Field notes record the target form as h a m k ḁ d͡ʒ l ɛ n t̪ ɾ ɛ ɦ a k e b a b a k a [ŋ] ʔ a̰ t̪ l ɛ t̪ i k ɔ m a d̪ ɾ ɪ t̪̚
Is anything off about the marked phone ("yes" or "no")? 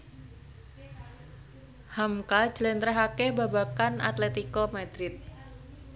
yes